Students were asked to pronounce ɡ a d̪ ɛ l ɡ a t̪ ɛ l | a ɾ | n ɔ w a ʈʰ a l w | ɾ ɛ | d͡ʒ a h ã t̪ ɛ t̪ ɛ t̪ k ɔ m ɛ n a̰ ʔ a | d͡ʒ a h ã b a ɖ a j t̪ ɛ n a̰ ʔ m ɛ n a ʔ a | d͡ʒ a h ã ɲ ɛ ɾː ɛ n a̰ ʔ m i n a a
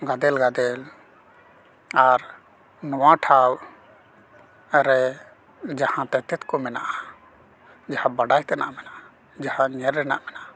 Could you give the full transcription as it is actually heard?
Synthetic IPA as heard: ɡ a d̪ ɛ l ɡ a d̪ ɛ l | a ɾ | n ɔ w a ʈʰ a w | ɾ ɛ | d͡ʒ a h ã t̪ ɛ t̪ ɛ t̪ k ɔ m ɛ n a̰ ʔ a | d͡ʒ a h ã b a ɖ a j t̪ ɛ n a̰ ʔ m ɛ n a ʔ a | d͡ʒ a h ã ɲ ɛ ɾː ɛ n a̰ ʔ m ɛ n a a